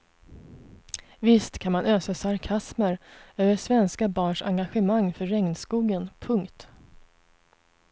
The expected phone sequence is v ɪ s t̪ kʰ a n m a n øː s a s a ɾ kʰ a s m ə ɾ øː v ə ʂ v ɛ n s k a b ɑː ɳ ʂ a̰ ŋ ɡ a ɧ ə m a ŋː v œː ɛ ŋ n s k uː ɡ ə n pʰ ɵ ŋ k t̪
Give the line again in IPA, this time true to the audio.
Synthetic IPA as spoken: v ɪ s t̪ kʰ a n m a n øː s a s a ɾ kʰ a s m ə ɾ øː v ə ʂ v ɛ n s k a b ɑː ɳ ʂ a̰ ŋ ɡ a ɧ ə m a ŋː f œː ɛ ŋ n s k uː ɡ ə n pʰ ɵ ŋ k t̪